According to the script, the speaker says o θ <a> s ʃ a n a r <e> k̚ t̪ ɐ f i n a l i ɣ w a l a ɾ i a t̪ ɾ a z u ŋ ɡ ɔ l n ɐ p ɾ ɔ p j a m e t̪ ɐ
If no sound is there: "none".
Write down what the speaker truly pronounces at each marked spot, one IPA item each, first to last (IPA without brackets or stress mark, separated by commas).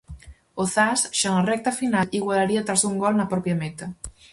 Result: a, ɛ